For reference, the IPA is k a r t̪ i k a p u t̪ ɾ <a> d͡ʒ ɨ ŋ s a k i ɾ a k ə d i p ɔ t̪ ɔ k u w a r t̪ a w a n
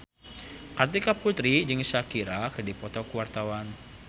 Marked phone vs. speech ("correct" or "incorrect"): incorrect